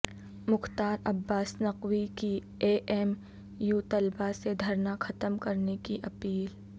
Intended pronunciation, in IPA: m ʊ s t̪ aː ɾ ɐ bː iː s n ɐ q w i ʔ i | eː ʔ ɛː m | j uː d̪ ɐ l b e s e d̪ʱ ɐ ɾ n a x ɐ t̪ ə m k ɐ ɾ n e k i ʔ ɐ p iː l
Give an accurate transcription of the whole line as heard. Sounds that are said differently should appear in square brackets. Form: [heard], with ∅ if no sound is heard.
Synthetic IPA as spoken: m ʊ [x] t̪ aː ɾ ɐ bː [aː] s n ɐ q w i [k] i | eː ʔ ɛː m | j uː [t̪] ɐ l b [a] s e d̪ʱ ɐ ɾ n a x ɐ t̪ ə m k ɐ ɾ n e k i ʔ ɐ p iː l